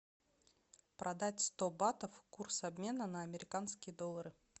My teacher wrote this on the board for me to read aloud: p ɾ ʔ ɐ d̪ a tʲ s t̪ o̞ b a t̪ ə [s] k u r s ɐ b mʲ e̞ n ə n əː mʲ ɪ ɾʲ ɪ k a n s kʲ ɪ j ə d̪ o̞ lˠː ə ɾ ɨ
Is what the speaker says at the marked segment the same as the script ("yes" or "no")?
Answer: no